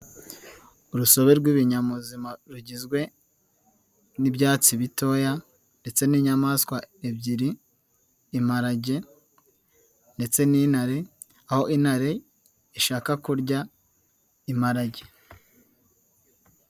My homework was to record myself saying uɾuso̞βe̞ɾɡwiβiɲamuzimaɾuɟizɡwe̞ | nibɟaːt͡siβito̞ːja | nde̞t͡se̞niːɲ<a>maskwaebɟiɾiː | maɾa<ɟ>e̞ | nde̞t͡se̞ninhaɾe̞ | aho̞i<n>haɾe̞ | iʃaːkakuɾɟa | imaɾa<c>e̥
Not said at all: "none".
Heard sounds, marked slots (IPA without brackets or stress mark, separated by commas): a, ɟ, n, ɟ